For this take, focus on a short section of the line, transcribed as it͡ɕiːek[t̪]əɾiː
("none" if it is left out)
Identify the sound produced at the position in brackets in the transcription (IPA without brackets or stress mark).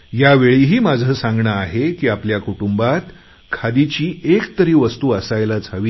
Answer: t̪